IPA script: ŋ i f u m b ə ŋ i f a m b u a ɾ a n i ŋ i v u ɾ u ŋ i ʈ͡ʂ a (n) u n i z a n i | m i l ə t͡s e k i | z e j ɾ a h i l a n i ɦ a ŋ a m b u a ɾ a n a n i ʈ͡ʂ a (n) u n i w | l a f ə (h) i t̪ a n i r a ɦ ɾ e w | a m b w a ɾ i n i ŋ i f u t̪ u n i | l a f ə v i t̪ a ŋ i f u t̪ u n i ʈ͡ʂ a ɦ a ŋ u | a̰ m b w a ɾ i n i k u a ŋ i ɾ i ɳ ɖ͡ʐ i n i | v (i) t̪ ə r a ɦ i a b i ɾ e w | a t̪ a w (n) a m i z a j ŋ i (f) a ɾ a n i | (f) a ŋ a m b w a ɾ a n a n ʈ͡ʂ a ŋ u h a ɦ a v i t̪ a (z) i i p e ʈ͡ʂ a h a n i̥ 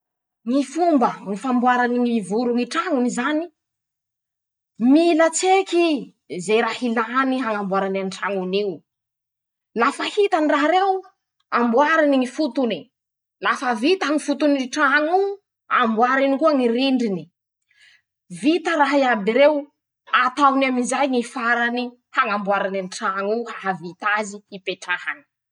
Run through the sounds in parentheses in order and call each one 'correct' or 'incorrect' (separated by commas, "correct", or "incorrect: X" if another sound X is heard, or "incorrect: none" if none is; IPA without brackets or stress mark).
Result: incorrect: ŋ, incorrect: ŋ, correct, correct, correct, correct, incorrect: h, correct